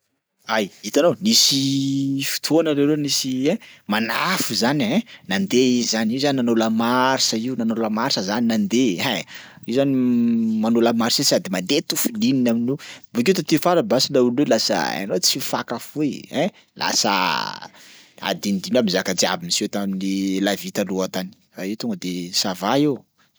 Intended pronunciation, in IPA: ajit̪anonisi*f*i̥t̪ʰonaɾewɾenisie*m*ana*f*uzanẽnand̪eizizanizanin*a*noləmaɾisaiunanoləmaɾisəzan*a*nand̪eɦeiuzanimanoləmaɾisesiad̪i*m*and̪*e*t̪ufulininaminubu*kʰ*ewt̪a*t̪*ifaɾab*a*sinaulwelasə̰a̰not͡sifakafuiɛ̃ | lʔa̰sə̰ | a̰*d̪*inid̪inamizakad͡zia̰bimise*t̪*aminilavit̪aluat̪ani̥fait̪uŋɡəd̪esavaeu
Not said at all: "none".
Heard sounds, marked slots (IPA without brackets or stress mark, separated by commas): f, m, f, a, i, m, e, k, t̪, a, d̪, t̪